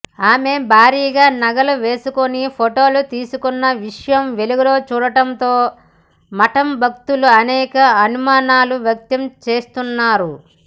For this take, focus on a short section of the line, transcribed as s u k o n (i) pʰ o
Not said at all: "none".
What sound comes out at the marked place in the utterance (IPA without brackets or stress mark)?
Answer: i